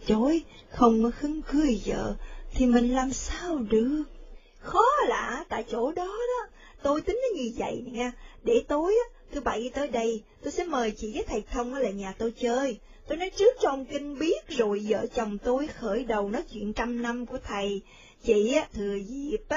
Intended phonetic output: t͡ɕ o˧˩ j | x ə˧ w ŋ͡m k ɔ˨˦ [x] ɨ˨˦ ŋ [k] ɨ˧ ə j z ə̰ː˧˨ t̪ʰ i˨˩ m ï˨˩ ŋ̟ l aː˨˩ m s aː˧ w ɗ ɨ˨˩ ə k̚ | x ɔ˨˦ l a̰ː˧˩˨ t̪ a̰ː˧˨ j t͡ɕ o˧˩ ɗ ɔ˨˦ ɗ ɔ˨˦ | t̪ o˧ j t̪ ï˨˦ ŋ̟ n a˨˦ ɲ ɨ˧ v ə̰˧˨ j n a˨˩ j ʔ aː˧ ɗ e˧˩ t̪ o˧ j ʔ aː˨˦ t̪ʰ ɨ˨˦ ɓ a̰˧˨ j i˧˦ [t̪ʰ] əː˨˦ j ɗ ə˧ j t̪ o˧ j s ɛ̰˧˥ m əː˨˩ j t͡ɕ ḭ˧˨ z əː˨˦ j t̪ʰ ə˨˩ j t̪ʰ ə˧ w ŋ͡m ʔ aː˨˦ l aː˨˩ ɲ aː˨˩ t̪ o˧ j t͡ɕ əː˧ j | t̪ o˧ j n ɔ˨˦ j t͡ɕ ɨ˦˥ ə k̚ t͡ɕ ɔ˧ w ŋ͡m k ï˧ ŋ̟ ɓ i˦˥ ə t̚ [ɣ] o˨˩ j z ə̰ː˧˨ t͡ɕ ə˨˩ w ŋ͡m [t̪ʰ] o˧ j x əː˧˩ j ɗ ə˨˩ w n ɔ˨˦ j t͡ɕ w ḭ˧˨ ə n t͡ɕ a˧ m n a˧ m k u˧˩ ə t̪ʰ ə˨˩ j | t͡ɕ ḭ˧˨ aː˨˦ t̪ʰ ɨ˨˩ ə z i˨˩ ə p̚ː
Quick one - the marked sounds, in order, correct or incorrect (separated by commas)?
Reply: correct, correct, incorrect, incorrect, incorrect